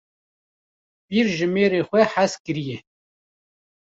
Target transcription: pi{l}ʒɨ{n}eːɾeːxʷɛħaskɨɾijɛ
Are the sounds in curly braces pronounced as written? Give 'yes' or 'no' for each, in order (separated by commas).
no, no